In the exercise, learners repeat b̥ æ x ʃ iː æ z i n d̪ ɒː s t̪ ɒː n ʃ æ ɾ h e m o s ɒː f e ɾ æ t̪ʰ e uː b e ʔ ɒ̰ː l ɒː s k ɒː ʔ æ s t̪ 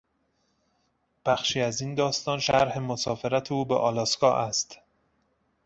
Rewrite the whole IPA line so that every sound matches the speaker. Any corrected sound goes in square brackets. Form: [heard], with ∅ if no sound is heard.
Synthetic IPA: b̥ æ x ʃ iː æ z i n d̪ ɒː s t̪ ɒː n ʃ æ ɾ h e m o s ɒː f e ɾ æ t̪ʰ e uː b e ʔ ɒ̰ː l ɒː s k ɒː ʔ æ s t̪